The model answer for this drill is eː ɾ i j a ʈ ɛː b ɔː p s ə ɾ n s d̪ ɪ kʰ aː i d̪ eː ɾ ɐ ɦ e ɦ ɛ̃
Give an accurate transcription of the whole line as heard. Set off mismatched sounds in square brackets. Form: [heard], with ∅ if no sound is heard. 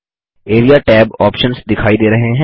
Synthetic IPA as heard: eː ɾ i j a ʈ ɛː b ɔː p [ʃ] ə [∅] n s d̪ ɪ kʰ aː i d̪ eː ɾ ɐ ɦ e ɦ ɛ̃